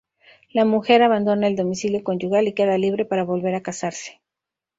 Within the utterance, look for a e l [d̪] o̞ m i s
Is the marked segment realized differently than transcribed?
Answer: no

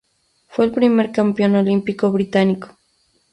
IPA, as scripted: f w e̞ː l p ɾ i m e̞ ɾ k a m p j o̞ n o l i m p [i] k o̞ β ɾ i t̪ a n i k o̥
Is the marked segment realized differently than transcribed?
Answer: no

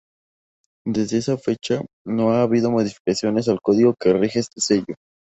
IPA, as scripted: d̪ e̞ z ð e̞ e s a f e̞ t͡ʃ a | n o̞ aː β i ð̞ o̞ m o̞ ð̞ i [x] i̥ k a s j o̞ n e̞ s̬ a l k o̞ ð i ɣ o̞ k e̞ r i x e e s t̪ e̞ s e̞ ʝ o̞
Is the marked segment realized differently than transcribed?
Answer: yes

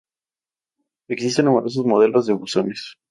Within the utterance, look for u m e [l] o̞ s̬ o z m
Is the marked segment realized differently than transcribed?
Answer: yes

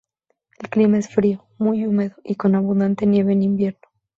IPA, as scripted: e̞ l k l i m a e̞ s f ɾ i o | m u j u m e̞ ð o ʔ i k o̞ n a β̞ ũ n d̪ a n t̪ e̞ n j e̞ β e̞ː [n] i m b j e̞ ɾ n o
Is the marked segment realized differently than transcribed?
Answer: no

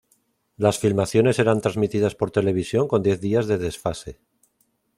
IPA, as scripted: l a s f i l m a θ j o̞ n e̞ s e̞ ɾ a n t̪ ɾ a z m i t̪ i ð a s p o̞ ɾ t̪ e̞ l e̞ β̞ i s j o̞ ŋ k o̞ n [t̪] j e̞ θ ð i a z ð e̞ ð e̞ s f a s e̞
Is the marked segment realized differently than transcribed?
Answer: yes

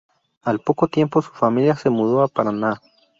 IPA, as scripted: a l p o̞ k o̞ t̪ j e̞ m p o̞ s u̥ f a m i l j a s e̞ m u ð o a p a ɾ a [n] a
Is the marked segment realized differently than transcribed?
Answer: no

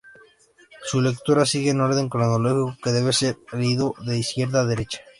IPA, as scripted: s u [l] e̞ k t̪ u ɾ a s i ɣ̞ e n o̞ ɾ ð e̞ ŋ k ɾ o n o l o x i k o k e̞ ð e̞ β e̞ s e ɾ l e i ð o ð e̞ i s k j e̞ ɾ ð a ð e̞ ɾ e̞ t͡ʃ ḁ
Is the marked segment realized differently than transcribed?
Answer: no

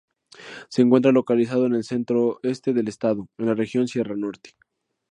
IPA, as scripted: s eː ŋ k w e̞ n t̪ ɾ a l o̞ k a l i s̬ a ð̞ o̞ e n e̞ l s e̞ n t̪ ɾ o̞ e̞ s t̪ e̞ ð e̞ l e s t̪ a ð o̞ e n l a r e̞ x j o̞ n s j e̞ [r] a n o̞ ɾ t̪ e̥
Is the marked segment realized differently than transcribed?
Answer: no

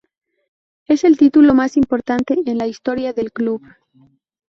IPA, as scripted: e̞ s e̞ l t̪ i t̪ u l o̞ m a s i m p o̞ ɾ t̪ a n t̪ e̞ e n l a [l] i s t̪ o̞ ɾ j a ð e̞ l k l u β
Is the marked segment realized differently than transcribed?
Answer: yes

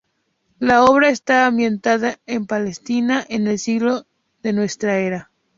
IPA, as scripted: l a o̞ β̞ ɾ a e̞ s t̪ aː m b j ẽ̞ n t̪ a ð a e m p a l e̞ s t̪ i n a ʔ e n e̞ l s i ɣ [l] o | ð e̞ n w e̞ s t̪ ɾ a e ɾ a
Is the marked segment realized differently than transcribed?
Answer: no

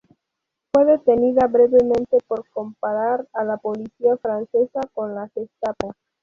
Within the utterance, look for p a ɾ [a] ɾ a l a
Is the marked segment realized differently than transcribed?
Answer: no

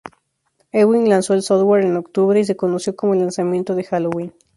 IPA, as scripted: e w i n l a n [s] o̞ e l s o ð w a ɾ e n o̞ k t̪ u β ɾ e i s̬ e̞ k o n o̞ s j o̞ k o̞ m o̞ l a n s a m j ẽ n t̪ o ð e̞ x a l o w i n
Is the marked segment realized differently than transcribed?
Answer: no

